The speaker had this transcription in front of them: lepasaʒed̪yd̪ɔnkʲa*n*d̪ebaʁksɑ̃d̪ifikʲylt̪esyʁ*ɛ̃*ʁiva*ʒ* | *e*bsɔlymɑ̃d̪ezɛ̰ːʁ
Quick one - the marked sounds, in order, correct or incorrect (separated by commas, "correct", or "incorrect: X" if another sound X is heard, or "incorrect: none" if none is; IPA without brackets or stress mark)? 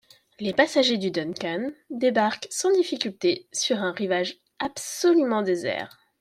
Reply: correct, correct, correct, incorrect: a